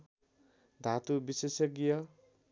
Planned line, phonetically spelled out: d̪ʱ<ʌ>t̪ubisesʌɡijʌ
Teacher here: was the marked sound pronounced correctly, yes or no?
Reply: no